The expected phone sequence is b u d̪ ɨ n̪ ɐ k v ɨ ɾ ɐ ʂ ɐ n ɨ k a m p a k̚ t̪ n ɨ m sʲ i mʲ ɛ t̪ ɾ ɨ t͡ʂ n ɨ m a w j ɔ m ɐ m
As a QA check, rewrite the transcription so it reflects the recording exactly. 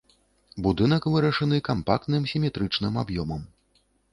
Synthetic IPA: b u d̪ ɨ n̪ ɐ k v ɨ ɾ ɐ ʂ ɐ n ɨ k a m p a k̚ t̪ n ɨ m sʲ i mʲ ɛ t̪ ɾ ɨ t͡ʂ n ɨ m a b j ɔ m ɐ m